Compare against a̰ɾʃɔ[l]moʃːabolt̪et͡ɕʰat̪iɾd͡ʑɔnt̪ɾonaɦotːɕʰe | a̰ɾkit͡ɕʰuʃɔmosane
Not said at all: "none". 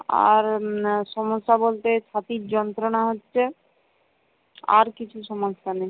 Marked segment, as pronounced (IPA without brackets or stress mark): none